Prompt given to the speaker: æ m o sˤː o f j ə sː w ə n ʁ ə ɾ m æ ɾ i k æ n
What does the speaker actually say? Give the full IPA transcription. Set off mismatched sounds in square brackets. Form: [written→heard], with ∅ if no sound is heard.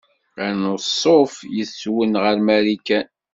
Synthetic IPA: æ [m→n] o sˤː o f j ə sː w ə n ʁ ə ɾ m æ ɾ i k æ n